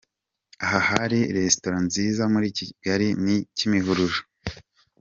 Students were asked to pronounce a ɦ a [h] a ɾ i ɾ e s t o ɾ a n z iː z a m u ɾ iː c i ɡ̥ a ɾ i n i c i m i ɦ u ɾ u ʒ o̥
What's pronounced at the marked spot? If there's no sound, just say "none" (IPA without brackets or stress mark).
h